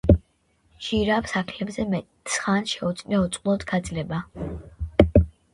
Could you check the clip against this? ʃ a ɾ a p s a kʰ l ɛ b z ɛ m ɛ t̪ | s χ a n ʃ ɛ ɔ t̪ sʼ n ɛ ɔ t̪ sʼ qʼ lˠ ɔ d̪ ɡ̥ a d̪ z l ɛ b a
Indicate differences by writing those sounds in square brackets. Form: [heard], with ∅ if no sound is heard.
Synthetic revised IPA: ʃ [i] ɾ a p s a kʰ l ɛ b z ɛ m ɛ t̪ | s χ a n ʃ ɛ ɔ t̪ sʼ n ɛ ɔ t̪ sʼ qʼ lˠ ɔ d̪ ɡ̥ a d̪ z l ɛ b a